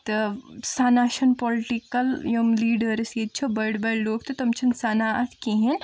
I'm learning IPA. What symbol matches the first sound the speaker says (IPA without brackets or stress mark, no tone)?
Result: t̪